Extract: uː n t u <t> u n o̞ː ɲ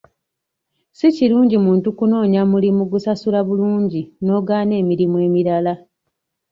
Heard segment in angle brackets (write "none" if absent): k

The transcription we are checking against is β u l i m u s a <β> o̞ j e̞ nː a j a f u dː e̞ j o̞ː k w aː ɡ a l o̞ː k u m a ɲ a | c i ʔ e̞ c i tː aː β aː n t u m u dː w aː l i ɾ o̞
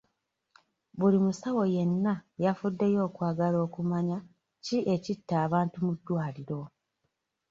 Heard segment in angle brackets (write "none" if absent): w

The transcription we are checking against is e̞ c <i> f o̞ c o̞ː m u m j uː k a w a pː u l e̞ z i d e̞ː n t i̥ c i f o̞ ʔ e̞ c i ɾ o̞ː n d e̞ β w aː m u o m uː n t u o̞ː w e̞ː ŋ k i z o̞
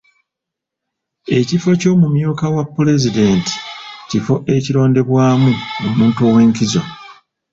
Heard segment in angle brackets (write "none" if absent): i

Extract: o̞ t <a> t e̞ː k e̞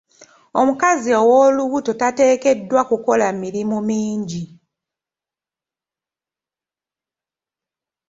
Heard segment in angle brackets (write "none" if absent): a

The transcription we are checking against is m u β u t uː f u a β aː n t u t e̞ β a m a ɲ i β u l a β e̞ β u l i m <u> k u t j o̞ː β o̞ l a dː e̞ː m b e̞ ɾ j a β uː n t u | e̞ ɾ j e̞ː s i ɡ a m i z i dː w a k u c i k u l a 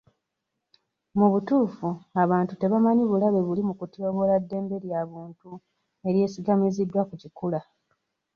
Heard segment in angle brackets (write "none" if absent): u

